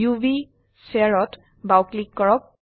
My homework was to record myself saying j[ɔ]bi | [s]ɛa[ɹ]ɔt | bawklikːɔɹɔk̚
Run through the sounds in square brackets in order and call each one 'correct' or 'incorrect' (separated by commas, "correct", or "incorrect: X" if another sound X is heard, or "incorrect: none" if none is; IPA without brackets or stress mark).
incorrect: u, correct, correct